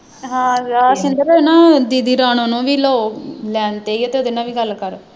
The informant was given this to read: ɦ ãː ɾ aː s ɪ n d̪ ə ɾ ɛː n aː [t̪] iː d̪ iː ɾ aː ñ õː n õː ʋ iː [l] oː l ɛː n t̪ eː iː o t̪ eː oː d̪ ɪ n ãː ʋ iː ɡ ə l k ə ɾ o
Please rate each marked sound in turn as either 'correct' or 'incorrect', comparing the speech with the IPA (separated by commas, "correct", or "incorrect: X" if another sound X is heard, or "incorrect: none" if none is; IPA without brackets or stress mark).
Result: incorrect: d̪, correct